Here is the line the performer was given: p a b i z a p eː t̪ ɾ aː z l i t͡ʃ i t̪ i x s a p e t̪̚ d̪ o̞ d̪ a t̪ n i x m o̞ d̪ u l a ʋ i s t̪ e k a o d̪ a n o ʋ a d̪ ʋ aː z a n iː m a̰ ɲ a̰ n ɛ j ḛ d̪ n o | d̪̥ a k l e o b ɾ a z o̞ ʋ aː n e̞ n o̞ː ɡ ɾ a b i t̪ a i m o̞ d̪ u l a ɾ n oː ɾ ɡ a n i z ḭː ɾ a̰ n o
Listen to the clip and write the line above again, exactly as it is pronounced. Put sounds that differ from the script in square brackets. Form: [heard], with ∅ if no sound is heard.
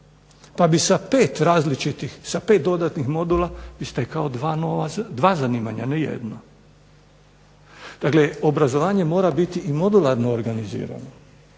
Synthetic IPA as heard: p a b i [s] a p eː t̪ ɾ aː z l i t͡ʃ i t̪ i x s a p e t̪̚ d̪ o̞ d̪ a t̪ n i x m o̞ d̪ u l a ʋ i s t̪ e k a o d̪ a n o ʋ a d̪ ʋ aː z a n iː m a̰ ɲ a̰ n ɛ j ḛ d̪ n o | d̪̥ a k l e o b ɾ a z o̞ ʋ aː [ɲ] e̞ [m] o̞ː [∅] ɾ a b i t̪ [i] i m o̞ d̪ u l a ɾ n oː ɾ ɡ a n i z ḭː ɾ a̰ n o